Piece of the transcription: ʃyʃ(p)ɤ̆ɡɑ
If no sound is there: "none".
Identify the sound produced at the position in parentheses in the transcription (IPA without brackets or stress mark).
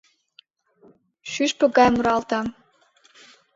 p